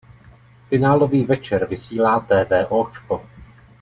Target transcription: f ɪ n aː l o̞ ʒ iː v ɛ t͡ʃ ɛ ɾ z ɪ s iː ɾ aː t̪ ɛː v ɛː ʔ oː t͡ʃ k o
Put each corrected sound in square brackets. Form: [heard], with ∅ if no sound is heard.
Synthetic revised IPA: f ɪ n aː l o̞ [v] iː v ɛ t͡ʃ ɛ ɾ [v] ɪ s iː [l] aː t̪ ɛː v ɛː ʔ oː t͡ʃ k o